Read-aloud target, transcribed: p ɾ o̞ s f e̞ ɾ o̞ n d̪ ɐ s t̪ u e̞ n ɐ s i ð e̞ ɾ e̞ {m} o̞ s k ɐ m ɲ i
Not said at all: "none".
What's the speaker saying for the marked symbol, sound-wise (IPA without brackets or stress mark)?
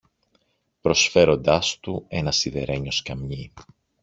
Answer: ɲ